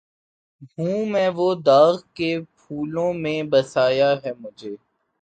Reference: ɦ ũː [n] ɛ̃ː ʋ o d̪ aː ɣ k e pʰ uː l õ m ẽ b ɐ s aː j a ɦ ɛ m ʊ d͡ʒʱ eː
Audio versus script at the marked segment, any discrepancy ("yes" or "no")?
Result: yes